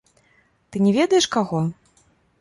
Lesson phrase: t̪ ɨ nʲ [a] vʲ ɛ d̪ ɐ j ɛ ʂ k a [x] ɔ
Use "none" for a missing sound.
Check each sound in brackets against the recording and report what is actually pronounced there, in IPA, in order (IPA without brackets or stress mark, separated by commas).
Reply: ɛ, ɣ